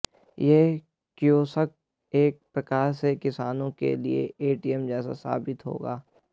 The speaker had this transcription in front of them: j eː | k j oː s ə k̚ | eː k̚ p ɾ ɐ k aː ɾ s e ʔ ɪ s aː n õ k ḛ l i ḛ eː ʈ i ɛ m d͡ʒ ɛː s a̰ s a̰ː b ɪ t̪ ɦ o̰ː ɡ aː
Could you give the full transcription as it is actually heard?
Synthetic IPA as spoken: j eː | k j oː s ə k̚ | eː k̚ p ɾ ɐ k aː ɾ s e k ɪ s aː n õ k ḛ l i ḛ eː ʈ i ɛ m d͡ʒ ɛː s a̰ s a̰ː b ɪ t̪ ɦ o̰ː ɡ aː